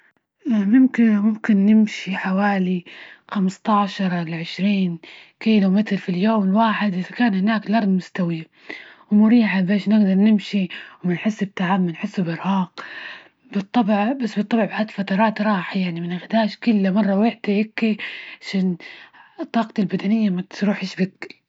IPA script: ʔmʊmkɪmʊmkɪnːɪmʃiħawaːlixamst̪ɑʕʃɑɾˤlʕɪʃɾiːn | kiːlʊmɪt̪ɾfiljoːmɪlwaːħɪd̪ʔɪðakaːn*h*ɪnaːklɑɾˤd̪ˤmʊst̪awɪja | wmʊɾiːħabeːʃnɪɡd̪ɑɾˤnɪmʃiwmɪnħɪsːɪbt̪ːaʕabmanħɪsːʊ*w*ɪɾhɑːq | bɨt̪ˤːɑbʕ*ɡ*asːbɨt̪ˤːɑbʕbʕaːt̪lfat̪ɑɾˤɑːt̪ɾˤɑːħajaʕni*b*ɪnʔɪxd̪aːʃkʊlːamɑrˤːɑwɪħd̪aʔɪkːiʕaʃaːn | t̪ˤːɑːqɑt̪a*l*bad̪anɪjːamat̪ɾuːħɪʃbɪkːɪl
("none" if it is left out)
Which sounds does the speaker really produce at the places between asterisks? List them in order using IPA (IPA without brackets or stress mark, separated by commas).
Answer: h, b, b, m, l